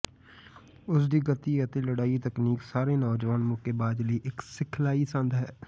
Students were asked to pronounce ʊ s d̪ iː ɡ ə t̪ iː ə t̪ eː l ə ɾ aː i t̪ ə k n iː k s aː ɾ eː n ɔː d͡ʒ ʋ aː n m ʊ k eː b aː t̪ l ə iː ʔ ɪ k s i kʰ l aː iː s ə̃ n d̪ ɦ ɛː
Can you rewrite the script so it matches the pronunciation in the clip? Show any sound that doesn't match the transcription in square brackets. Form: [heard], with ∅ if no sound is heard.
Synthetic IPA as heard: ʊ s d̪ iː ɡ ə t̪ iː ə t̪ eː l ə [ɽ] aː i t̪ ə k n iː k s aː ɾ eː n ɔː d͡ʒ ʋ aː n m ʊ k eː b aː [d̪] l ə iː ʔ ɪ k s [ɪ] kʰ l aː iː s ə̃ n d̪ ɦ ɛː